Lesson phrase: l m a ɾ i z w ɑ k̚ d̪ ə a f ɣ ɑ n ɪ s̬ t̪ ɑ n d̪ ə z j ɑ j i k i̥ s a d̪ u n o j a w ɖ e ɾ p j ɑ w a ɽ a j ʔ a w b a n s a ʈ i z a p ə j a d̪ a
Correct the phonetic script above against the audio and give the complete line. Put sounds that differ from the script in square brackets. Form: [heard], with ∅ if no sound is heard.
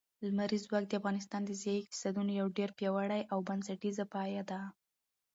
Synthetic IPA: l m a ɾ i z w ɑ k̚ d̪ ə a f ɣ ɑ n ɪ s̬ t̪ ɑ n d̪ ə z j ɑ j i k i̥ s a d̪ u n o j a w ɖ e ɾ p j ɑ w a ɽ a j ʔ a w b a n s a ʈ i z a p [ɑ] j a d̪ a